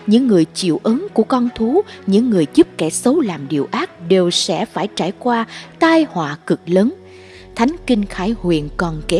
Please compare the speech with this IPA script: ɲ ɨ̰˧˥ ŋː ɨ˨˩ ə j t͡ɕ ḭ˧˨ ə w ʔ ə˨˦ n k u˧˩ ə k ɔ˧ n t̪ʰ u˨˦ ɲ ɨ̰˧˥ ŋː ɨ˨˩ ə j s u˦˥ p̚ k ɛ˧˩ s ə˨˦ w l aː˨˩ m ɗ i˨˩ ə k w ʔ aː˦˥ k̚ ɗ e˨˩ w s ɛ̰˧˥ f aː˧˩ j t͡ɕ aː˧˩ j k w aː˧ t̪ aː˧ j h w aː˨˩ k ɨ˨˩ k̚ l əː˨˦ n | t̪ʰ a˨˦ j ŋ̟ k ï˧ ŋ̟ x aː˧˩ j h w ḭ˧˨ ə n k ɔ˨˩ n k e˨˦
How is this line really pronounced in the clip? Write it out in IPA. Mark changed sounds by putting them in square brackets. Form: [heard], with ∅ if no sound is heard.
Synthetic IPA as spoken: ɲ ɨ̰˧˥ ŋː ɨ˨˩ ə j t͡ɕ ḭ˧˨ ə w ʔ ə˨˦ n k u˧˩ ə k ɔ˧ n t̪ʰ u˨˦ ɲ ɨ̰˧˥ ŋː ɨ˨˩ ə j [z] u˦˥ p̚ k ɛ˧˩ s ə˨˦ w l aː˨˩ m ɗ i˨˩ ə [∅] w ʔ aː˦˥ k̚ ɗ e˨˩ w s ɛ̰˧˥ f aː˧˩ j t͡ɕ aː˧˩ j k w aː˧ t̪ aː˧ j h w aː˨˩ k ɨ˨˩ k̚ l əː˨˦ n | t̪ʰ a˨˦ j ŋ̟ k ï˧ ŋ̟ x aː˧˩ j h w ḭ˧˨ ə n k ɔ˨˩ n k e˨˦